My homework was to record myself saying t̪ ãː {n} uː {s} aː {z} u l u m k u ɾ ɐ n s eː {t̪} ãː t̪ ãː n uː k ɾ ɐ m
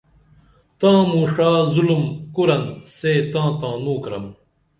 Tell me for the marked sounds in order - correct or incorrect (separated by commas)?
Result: incorrect, incorrect, correct, correct